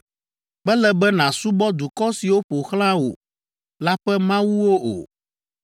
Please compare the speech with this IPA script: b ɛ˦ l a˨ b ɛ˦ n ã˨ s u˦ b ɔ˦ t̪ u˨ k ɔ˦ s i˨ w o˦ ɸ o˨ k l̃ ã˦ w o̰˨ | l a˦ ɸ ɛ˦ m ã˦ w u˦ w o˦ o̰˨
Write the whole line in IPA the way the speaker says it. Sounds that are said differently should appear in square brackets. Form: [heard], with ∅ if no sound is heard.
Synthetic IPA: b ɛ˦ l [ɛ˨] b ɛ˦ n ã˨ s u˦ b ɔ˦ [d̪] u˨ k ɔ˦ s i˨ w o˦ ɸ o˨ [x] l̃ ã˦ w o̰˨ | l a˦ ɸ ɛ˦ m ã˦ w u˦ w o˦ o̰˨